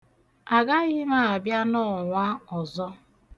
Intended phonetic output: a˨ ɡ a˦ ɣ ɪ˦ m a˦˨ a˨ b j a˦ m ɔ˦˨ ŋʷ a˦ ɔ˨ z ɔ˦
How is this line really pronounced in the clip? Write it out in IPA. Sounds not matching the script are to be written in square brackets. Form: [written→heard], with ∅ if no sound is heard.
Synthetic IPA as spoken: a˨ ɡ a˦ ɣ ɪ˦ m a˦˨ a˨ b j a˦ [m→n] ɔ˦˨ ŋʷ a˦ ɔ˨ z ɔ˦